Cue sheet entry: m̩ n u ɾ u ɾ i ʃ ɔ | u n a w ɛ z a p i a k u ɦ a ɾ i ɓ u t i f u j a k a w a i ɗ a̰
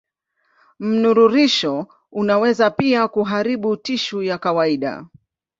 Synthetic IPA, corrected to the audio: m̩ n u ɾ u ɾ i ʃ ɔ | u n a w ɛ z a p i a k u ɦ a ɾ i ɓ u t i ʃ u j a k a w a i ɗ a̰